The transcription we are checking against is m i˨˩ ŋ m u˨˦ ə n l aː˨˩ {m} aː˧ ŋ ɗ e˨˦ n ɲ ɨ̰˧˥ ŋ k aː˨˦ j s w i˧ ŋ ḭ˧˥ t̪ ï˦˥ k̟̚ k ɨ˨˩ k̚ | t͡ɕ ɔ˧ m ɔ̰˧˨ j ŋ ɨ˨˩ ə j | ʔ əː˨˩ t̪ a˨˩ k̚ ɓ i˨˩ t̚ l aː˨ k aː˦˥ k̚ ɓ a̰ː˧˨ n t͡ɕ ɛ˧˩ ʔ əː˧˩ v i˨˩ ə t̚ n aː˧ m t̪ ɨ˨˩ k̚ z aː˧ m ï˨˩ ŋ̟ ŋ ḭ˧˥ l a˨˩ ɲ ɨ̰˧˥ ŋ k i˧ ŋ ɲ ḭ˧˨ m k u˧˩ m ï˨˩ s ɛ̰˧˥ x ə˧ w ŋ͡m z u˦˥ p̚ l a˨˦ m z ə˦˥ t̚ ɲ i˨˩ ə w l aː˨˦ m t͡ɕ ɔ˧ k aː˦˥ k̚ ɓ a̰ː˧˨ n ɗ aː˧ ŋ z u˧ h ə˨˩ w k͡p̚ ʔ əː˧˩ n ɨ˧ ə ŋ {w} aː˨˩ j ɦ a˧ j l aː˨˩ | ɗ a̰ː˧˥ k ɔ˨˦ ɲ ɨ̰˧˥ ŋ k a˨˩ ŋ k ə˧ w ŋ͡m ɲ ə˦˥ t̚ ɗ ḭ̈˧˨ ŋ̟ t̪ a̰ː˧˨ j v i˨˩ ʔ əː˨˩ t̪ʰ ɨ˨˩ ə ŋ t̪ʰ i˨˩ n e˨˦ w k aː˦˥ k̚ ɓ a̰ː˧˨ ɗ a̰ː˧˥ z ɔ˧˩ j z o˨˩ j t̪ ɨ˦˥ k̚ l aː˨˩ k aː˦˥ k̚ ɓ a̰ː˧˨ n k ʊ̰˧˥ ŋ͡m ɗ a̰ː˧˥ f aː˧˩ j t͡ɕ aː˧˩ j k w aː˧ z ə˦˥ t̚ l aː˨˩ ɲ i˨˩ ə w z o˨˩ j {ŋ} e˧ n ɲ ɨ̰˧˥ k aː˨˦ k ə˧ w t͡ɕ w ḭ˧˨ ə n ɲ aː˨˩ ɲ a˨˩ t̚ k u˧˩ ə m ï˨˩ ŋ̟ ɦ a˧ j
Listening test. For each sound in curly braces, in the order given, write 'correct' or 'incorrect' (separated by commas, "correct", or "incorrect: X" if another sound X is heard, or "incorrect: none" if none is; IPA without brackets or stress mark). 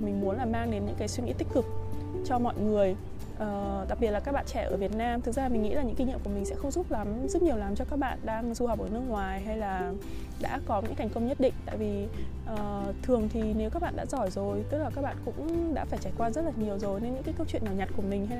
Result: correct, correct, incorrect: n